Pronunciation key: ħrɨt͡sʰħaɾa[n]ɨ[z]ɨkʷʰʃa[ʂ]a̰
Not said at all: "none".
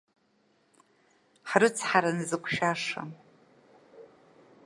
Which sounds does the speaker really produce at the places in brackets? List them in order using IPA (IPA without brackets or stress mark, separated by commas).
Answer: n, z, ʂ